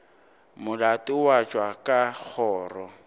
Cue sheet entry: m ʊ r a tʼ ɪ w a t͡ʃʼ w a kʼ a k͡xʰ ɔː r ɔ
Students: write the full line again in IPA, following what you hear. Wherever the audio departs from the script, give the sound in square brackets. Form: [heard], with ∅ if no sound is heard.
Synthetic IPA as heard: m ʊ [l] a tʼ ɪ w a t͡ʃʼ w a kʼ a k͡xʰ ɔː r ɔ